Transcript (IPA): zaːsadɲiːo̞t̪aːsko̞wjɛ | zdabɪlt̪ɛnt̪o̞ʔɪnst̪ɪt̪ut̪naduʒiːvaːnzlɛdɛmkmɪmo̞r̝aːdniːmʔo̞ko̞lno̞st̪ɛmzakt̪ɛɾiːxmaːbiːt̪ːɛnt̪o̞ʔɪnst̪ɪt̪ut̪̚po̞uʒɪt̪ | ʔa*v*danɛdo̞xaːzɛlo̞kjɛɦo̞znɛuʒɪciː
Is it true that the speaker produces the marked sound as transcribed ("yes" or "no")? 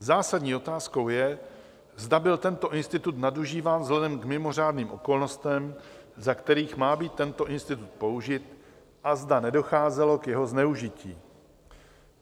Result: no